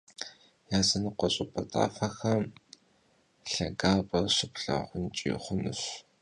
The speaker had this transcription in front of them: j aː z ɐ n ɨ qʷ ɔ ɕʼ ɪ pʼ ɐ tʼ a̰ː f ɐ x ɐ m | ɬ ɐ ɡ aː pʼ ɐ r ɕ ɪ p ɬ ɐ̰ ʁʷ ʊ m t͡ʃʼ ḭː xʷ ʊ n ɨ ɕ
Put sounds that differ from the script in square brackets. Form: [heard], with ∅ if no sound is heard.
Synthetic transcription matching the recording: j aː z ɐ n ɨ qʷ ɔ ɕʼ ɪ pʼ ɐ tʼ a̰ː f ɐ x ɐ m | ɬ ɐ ɡ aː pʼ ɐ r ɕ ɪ p ɬ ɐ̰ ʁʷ ʊ [n] t͡ʃʼ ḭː [χʷ] ʊ n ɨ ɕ